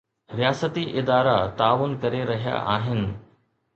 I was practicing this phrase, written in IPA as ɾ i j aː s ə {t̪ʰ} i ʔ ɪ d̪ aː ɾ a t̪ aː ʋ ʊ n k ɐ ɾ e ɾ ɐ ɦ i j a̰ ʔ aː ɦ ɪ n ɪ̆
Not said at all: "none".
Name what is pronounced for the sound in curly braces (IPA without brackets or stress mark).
t̪